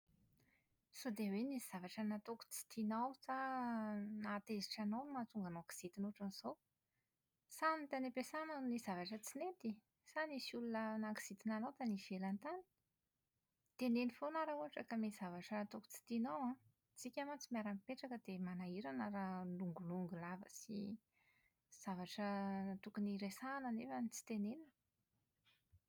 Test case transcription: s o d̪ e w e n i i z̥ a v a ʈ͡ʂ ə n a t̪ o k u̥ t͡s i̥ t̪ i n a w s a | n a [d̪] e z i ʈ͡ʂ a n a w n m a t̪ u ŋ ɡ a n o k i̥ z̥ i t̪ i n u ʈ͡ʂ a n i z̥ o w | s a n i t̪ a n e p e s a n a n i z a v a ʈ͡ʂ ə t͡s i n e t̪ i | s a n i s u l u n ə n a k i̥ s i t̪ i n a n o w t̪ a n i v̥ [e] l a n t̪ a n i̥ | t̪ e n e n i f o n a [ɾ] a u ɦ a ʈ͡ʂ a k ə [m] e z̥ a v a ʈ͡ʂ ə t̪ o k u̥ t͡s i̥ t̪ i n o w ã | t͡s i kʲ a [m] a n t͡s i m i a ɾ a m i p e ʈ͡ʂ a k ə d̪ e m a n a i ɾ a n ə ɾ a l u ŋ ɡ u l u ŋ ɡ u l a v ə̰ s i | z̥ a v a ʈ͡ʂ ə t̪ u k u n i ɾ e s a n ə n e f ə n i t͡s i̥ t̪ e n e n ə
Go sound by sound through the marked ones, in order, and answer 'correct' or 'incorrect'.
incorrect: t̪, correct, correct, correct, correct

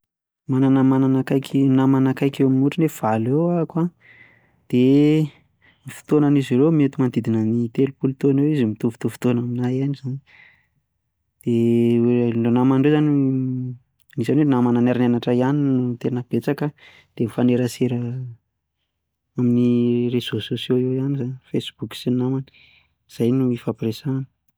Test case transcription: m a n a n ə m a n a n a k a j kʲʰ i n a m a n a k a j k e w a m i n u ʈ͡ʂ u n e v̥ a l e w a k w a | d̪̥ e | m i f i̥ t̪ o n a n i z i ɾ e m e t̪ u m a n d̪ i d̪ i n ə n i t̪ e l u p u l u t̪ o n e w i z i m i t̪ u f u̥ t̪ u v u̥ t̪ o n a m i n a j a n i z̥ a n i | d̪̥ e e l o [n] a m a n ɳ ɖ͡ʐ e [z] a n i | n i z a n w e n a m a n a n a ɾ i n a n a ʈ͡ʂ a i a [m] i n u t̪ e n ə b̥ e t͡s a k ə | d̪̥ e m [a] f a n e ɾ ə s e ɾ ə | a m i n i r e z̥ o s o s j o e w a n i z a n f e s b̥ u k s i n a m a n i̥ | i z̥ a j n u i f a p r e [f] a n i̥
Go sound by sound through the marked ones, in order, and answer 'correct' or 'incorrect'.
correct, correct, incorrect: n, incorrect: i, incorrect: s

